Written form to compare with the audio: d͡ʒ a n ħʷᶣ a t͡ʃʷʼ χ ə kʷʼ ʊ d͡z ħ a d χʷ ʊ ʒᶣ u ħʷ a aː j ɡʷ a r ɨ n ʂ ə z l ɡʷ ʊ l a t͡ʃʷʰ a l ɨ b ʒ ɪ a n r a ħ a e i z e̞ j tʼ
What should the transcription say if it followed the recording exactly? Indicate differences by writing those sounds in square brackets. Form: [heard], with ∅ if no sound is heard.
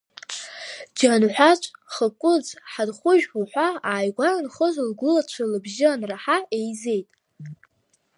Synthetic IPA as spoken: d͡ʒ a n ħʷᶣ a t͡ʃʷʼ χ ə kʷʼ ʊ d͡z ħ a d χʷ ʊ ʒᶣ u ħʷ a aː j ɡʷ a r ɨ n [χ] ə z l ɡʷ ʊ l a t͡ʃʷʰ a l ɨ b ʒ ɪ a n r a ħ a e [j] z e̞ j tʼ